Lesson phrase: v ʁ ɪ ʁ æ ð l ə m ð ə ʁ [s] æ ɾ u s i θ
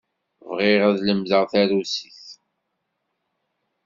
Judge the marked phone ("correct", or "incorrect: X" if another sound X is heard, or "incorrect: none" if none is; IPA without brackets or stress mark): incorrect: θ